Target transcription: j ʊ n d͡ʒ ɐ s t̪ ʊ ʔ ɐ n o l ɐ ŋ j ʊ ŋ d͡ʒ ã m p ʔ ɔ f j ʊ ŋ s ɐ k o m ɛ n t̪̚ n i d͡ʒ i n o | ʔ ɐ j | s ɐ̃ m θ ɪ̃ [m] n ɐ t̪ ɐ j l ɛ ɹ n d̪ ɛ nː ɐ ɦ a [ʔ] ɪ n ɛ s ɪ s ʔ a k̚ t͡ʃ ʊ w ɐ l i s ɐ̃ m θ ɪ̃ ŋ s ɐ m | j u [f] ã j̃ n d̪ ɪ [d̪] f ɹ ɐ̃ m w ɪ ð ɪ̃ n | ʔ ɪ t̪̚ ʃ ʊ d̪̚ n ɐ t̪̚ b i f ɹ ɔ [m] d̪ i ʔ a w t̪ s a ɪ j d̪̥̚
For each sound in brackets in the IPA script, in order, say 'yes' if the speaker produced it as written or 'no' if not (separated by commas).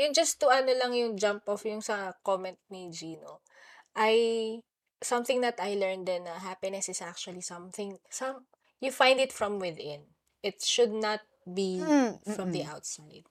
no, no, yes, no, yes